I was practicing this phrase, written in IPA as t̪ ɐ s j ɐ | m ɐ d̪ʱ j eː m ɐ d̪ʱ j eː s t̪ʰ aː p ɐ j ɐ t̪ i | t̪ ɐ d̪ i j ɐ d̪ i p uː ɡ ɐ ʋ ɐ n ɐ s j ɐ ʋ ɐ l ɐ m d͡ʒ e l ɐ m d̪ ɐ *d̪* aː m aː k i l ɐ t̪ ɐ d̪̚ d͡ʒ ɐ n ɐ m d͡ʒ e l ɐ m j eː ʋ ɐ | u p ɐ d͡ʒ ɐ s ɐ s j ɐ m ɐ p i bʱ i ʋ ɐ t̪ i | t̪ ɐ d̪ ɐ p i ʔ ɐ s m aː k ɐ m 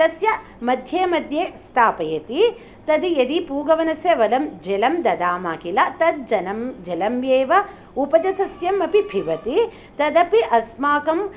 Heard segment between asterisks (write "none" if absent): d̪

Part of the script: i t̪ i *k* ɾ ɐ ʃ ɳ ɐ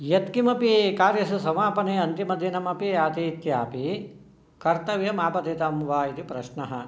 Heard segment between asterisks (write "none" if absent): p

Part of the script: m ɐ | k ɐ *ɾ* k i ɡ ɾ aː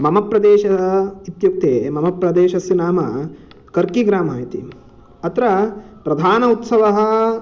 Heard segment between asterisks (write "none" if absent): ɾ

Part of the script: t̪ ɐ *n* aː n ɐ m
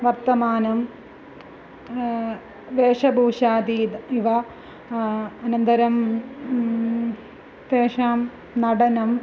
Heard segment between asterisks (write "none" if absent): m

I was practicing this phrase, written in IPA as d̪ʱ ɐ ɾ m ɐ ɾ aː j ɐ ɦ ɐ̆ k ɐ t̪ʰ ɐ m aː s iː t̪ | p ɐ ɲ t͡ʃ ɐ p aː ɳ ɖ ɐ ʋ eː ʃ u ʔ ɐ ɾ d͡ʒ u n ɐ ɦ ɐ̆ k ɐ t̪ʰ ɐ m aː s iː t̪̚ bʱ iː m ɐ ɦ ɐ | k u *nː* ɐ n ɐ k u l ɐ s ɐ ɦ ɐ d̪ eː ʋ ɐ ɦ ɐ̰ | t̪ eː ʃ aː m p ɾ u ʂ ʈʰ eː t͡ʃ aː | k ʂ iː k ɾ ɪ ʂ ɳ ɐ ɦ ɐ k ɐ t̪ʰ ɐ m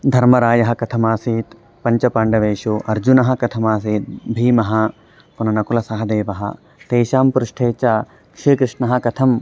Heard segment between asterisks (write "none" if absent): n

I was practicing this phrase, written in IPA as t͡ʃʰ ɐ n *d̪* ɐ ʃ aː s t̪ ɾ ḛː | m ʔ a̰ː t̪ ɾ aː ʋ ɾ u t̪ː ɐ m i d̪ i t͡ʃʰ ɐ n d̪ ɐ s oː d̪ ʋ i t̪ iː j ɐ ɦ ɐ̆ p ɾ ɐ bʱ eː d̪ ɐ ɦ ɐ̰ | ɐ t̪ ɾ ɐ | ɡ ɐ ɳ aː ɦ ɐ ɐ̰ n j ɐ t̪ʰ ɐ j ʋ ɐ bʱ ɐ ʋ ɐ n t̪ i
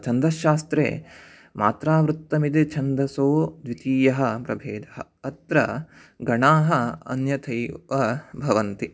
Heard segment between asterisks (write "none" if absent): d̪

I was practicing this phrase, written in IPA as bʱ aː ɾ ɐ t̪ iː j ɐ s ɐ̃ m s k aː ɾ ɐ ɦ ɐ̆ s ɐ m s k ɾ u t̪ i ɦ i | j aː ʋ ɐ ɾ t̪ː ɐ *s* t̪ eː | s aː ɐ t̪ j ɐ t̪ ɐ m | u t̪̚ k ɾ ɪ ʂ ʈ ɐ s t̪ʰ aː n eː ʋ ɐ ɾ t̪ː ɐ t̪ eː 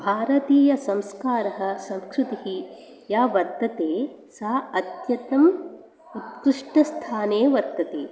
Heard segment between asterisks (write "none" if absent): none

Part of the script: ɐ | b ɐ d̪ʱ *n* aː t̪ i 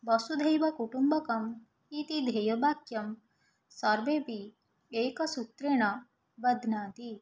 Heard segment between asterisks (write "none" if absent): n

